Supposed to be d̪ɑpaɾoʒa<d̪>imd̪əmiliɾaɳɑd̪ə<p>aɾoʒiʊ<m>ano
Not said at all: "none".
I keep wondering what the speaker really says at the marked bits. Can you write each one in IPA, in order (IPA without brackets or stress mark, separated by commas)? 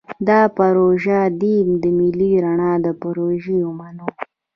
d̪, p, m